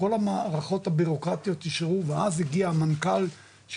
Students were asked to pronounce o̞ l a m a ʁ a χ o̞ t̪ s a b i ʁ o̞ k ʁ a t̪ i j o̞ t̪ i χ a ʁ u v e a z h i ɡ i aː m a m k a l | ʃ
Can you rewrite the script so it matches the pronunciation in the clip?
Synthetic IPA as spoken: o̞ l a m a ʁ a χ o̞ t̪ h a b i ʁ o̞ k ʁ a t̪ i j o̞ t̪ i ʃ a ʁ u v e a z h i ɡ i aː m a n k a l | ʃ